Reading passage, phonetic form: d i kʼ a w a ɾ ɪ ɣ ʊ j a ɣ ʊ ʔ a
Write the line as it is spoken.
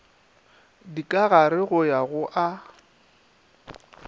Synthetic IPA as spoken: d i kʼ a ɣ a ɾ ɪ ɣ ʊ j a ɣ ʊ ʔ a

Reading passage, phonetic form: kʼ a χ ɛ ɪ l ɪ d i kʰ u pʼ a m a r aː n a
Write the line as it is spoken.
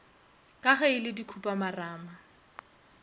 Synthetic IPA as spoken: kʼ a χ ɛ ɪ l ɪ d i kʰ u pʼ a m a r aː m a

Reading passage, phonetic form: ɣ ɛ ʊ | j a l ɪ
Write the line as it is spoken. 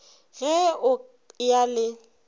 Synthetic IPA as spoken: ɣ ɛ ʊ | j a l ɪ

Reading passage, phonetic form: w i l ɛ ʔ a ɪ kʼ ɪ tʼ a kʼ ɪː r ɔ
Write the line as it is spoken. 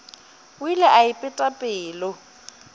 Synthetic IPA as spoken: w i l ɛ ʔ a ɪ pʼ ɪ tʼ a pʼ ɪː l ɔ

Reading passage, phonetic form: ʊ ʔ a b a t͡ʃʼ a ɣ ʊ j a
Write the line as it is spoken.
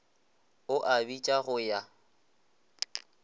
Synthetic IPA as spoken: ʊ ʔ a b i t͡ʃʼ a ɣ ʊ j a

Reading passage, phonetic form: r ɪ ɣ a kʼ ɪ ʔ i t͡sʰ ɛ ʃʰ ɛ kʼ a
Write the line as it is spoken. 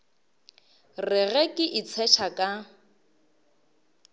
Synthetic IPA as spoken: r ɪ ɣ ɛ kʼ ɪ ʔ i t͡sʰ ɛ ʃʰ a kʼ a

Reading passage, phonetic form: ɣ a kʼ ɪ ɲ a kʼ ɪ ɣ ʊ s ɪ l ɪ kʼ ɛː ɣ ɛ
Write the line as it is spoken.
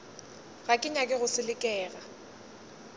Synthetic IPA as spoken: ɣ a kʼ ɪ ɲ a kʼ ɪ ɣ ʊ s ɪ l ɪ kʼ ɛː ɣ a

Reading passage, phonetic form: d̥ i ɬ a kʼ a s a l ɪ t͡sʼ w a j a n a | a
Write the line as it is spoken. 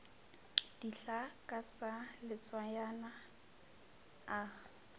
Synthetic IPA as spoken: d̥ i ɬ a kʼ a s a l ɪ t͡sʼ w a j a n a | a

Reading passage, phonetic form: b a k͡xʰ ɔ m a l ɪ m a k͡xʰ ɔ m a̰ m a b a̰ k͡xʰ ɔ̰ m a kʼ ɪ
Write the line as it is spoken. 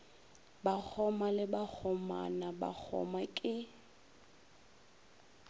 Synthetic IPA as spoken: b a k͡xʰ ɔ m a l ɪ b a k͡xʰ ɔ m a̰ n a b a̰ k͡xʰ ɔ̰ m a kʼ ɪ

